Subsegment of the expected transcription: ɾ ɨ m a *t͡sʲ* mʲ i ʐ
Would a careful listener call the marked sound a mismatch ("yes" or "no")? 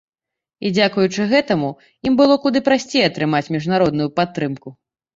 no